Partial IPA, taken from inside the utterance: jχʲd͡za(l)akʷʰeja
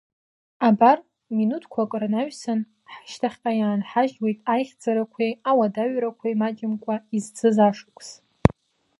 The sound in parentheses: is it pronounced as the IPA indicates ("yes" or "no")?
no